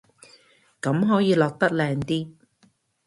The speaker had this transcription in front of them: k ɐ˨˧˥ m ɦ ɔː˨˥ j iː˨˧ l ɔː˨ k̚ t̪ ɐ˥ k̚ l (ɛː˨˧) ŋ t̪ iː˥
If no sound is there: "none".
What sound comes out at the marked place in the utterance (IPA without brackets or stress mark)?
ɛː˨˧